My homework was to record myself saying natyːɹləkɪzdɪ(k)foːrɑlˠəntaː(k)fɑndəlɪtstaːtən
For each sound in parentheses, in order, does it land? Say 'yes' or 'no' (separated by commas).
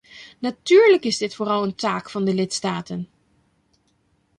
no, yes